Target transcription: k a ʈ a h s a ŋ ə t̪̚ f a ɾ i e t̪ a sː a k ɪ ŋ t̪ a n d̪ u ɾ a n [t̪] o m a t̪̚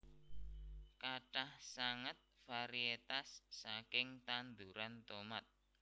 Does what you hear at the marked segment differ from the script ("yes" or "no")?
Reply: no